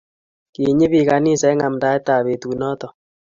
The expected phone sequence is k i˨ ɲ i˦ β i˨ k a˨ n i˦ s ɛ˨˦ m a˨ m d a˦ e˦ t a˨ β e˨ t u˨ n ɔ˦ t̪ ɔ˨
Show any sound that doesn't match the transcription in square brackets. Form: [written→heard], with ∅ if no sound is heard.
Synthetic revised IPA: k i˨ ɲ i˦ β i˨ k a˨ n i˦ s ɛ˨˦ [m→ŋ] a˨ m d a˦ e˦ t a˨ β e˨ t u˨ n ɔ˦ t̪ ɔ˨